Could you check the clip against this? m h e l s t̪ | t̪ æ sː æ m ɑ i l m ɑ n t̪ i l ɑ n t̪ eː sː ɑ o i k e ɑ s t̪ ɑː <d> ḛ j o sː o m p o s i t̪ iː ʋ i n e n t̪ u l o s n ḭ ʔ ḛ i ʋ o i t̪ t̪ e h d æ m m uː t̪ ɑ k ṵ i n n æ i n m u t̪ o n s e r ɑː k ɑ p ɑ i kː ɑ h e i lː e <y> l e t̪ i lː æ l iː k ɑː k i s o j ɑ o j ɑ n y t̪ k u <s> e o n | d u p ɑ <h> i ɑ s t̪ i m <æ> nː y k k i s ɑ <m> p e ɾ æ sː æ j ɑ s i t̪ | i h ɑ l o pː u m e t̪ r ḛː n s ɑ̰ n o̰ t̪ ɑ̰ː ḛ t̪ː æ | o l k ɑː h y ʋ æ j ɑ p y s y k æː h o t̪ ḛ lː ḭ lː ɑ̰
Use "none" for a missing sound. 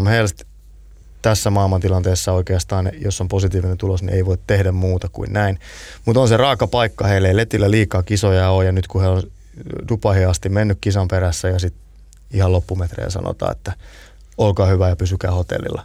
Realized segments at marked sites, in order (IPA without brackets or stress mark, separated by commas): n, i, h, h, e, m